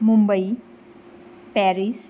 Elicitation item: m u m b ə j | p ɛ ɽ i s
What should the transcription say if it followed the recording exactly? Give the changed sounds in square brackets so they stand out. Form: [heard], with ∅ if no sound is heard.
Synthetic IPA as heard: m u m b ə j | p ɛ [ɾ] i s